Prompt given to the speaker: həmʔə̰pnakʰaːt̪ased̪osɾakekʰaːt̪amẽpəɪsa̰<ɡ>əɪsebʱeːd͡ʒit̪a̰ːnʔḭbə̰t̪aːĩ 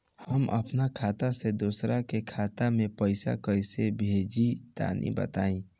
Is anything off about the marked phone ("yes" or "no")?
yes